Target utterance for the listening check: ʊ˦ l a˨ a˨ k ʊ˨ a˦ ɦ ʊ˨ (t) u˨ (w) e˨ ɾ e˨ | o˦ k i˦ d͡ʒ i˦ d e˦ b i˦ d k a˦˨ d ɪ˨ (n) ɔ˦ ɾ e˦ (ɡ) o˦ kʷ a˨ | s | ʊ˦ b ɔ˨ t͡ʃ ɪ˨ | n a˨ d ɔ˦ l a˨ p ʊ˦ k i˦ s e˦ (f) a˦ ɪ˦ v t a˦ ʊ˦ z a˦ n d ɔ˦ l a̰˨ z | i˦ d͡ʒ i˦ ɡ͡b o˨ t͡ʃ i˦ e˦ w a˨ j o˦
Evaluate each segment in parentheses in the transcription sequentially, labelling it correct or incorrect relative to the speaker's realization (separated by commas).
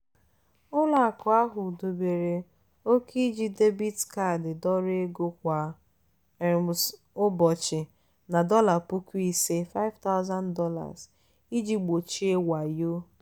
incorrect, incorrect, incorrect, correct, correct